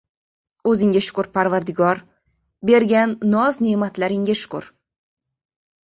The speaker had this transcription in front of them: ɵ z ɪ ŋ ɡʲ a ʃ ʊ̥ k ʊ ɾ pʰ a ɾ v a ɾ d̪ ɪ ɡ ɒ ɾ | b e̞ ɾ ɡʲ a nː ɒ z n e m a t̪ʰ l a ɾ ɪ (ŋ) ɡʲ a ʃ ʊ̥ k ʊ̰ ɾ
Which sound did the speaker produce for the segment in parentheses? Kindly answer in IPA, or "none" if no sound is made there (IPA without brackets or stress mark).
ŋ